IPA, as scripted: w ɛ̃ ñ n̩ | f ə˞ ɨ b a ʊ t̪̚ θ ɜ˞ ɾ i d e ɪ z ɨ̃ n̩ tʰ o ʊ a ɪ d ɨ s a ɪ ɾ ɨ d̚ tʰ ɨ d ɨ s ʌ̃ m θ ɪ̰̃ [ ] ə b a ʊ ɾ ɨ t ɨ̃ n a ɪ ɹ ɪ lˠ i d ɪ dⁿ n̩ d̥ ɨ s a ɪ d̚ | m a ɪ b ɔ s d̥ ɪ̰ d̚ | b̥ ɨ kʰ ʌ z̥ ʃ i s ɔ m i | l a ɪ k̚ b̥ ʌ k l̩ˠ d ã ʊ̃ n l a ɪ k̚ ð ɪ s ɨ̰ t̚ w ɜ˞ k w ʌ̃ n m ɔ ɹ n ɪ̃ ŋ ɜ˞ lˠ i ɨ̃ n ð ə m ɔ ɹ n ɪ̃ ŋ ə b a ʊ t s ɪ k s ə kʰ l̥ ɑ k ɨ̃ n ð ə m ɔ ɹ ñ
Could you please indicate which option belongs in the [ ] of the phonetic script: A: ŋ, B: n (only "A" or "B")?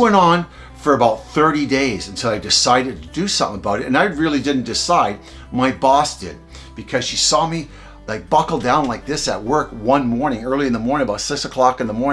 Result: A